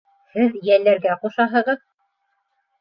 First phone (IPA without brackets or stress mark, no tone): h